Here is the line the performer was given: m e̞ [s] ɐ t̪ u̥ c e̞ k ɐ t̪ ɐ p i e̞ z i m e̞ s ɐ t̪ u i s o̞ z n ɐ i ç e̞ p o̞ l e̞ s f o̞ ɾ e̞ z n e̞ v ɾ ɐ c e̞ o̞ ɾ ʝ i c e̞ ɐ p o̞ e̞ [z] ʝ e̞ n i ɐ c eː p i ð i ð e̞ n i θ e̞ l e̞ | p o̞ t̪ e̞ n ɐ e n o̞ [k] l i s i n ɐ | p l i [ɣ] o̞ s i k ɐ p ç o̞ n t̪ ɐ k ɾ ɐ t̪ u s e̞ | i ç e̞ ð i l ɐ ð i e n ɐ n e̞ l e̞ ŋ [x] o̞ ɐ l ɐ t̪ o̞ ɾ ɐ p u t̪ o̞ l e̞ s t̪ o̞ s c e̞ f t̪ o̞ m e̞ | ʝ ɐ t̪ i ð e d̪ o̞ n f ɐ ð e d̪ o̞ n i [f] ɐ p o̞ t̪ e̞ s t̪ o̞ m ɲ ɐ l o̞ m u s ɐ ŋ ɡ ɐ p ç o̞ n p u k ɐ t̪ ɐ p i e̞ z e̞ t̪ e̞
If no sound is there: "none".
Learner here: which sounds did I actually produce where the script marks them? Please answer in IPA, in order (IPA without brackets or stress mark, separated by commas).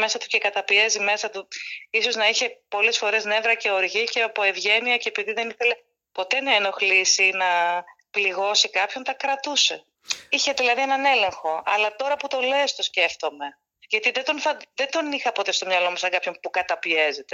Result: s, v, x, ɣ, x, x